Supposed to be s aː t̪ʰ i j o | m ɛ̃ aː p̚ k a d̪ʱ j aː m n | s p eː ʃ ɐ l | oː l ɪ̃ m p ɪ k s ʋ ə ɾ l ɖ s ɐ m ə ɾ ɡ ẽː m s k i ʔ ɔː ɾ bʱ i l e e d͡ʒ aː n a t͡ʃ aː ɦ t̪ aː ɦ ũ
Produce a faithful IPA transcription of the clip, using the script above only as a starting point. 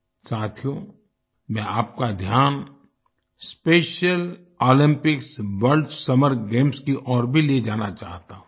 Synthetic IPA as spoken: s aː t̪ʰ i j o | m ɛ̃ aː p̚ k a d̪ʱ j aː n | s p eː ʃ ə l | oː l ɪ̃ m p ɪ k s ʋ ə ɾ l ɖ s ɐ m ə ɾ ɡ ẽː m s k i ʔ ɔː ɾ bʱ i l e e d͡ʒ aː n a t͡ʃ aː ɦ t̪ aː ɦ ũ

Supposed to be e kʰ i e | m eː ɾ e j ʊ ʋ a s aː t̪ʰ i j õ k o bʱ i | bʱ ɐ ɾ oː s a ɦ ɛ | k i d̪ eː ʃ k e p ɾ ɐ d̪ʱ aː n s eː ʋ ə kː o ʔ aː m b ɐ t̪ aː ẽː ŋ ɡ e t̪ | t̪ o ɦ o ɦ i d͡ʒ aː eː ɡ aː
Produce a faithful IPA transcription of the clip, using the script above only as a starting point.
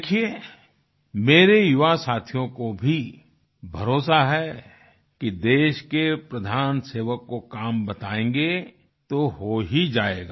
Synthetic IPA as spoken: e kʰ i e | m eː ɾ e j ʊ ʋ a s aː t̪ʰ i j õ k o bʱ i | bʱ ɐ ɾ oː s a ɦ ɛ | k i d̪ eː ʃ k e p ɾ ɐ d̪ʱ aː n s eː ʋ ə kː o k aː m b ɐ t̪ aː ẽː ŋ ɡ e | t̪ o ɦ o ɦ i d͡ʒ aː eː ɡ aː

